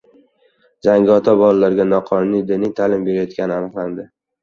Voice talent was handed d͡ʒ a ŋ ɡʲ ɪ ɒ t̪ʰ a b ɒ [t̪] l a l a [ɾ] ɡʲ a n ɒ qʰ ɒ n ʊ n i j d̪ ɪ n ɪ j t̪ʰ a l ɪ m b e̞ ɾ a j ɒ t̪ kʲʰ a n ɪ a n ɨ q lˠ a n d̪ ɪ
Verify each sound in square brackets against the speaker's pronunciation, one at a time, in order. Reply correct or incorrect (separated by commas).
incorrect, correct